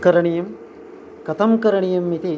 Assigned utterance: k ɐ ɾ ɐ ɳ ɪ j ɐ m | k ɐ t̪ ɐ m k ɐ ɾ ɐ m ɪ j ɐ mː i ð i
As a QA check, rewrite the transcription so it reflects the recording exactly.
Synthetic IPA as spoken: k ɐ ɾ ɐ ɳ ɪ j ɐ m | k ɐ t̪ ɐ m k ɐ ɾ ɐ ɳ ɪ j ɐ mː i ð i